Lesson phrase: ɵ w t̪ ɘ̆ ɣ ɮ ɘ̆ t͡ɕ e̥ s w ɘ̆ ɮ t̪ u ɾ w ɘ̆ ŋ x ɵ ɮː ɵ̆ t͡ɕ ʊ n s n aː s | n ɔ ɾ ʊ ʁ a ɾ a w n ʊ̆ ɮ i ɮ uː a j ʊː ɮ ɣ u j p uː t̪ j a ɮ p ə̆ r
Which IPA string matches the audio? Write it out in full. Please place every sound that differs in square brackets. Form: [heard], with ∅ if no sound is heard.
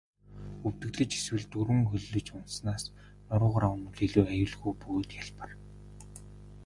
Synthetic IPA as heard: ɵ w t̪ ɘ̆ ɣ ɮ ɘ̆ t͡ɕ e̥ s w ɘ̆ ɮ t̪ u ɾ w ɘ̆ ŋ x ɵ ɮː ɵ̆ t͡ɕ ʊ n s n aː s | n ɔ ɾ [ʊː] ʁ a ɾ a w n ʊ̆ ɮ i ɮ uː a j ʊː ɮ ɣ u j p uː t̪ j a ɮ p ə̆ r